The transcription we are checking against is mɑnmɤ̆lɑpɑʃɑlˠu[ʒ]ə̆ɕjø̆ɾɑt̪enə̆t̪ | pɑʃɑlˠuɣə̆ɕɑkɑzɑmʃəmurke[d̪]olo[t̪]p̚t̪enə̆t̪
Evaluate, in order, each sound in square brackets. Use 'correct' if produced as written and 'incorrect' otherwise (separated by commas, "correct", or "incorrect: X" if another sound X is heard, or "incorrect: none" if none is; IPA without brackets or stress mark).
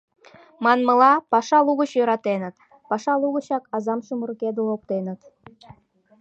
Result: incorrect: ɣ, correct, incorrect: none